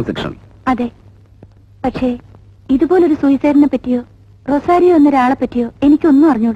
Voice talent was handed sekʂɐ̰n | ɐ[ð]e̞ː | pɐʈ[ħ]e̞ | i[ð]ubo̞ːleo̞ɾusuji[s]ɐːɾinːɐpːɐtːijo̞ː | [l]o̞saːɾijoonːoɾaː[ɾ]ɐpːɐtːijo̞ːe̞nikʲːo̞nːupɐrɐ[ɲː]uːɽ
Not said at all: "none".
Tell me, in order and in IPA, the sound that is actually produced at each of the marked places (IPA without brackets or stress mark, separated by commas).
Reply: ð, ʂ, ð, s, r, ɭ, ɲː